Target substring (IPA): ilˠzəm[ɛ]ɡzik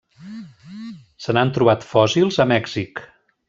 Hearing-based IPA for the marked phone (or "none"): ɛ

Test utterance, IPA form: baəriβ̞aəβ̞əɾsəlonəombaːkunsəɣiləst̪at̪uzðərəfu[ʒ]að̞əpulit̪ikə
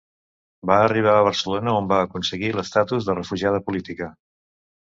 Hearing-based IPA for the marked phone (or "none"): ʒ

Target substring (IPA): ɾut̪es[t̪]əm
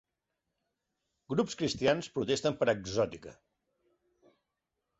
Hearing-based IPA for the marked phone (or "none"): t̪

